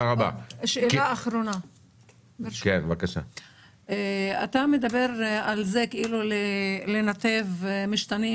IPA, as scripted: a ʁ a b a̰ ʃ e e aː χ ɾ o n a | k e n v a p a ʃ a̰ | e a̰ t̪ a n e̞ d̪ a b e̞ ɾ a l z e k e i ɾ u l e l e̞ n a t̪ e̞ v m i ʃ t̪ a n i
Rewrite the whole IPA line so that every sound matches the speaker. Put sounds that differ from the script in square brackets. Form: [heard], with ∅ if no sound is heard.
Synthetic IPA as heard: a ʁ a b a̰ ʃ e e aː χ ɾ o n a | k e n v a [k] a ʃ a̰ | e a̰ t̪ a [m] e̞ d̪ a b e̞ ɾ a l z e k e i [l] u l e l e̞ n a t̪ e̞ v m i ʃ t̪ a n i